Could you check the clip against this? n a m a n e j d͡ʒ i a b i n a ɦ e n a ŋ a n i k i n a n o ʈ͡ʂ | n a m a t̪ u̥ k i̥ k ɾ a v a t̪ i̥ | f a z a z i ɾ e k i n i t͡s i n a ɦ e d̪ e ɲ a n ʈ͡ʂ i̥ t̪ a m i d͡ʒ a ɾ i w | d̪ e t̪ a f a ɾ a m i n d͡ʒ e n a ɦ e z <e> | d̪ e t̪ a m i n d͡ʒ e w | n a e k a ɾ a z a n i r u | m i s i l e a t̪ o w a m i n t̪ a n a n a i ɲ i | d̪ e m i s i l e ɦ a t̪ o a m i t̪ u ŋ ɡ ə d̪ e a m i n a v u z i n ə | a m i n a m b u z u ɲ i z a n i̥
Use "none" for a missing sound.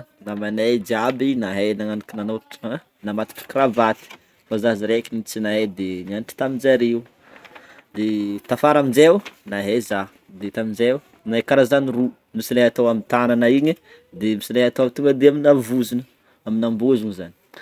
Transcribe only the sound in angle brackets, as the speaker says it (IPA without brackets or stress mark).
a